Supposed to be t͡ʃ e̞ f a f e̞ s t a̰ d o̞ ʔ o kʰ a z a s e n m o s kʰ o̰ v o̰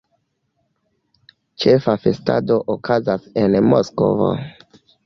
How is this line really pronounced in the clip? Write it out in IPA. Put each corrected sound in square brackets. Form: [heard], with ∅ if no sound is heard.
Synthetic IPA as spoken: t͡ʃ e̞ f a f e̞ s t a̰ d o̞ ʔ o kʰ a z a s e n m o s [k] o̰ v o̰

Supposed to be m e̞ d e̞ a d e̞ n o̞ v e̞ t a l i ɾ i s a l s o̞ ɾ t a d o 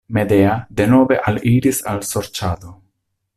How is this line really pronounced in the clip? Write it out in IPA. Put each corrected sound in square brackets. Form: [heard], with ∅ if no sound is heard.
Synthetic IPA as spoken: m e̞ d e̞ a d e̞ n o̞ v e̞ [ʔ] a l i ɾ i s a l s o̞ ɾ [t͡ʃ] a d o

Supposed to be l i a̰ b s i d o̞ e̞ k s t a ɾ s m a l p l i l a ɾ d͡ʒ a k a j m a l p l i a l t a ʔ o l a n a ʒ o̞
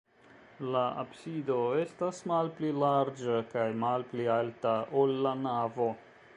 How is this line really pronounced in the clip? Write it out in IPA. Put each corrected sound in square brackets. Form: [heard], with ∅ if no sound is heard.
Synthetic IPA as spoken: l [a] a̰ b s i d o̞ e̞ [∅] s t a [∅] s m a l p l i l a ɾ d͡ʒ a k a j m a l p l i a l t a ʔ o [lː] a n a [v] o̞

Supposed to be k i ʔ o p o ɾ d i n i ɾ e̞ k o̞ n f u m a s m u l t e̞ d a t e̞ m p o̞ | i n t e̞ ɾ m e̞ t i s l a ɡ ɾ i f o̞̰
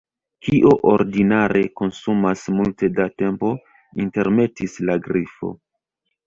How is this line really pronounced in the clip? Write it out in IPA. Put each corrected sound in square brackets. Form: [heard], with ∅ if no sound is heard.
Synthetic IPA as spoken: k i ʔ o [ʔ] o ɾ d i n [a] ɾ e̞ k o̞ n [s] u m a s m u l t e̞ d a t e̞ m p o̞ | i n t e̞ ɾ m e̞ t i s l a ɡ ɾ i f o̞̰

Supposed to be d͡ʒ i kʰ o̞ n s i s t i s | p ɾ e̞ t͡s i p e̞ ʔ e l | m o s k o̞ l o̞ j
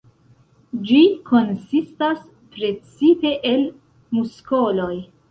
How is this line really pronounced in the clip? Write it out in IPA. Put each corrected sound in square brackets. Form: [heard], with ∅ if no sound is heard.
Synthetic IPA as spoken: d͡ʒ i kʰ o̞ n s i s t [a] s | p ɾ e̞ t͡s i p e̞ ʔ e l | m [u] s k o̞ l o̞ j

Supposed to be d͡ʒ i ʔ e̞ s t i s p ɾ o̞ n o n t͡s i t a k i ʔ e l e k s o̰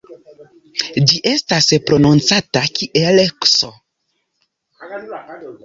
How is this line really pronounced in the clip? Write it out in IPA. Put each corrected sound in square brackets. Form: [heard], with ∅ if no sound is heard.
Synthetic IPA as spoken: d͡ʒ i ʔ e̞ s t [a] s p ɾ o̞ n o n t͡s [a] t a k i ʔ e l e k s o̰

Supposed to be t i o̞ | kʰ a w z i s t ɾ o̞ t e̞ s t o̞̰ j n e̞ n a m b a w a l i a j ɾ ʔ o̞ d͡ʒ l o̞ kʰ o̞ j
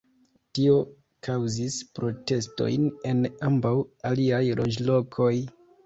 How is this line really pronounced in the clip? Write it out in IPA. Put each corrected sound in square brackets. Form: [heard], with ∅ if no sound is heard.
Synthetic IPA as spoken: t i o̞ | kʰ a w z i s [p] ɾ o̞ t e̞ s t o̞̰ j n e̞ n a m b a w a l i a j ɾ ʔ o̞ d͡ʒ l o̞ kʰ o̞ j

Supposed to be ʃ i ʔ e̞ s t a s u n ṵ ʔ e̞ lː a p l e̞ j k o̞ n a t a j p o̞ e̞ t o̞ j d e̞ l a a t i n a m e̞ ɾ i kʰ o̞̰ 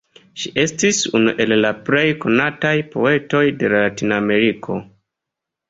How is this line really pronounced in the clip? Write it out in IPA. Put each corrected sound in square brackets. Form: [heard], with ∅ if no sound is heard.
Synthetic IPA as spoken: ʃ i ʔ e̞ s t [i] s u n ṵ ʔ e̞ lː a p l e̞ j k o̞ n a t a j p o̞ e̞ t o̞ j d e̞ l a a t i n a m e̞ ɾ i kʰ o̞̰

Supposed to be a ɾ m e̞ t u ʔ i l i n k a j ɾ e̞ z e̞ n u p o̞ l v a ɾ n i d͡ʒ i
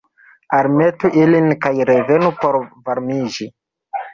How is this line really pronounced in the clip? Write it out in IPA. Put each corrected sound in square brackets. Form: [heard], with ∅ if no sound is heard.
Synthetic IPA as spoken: a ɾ m e̞ t u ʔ i l i n k a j ɾ e̞ [v] e̞ n u p o̞ [ɾ] v a ɾ [m] i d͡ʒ i

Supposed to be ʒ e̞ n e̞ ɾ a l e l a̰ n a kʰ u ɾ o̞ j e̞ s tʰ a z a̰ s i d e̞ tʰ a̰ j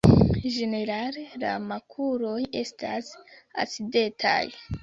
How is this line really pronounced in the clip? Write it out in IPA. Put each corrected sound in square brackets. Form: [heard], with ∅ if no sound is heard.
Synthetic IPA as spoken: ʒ e̞ n e̞ ɾ a l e l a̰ [m] a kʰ u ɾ o̞ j e̞ s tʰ a [s] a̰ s i d e̞ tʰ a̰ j

